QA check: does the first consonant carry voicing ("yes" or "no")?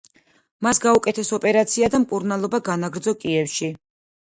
yes